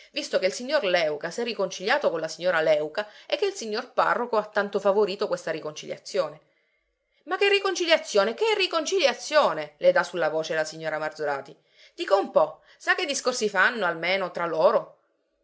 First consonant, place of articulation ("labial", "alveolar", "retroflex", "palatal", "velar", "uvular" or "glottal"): labial